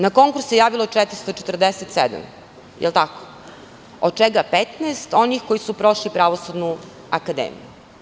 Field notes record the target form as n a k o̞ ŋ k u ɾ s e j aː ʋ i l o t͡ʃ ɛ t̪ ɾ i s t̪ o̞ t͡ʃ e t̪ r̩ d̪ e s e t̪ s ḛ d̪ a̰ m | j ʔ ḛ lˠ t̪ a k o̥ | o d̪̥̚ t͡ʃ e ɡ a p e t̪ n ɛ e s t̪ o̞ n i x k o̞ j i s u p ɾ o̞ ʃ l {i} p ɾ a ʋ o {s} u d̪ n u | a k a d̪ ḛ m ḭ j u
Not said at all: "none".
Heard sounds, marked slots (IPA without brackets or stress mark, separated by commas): i, s